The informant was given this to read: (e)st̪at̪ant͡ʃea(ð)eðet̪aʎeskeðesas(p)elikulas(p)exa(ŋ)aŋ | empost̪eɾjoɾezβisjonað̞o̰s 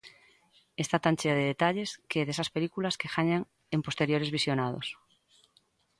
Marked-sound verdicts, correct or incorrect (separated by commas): correct, correct, correct, incorrect, incorrect